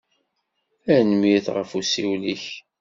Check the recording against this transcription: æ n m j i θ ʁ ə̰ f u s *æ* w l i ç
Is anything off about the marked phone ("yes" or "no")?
yes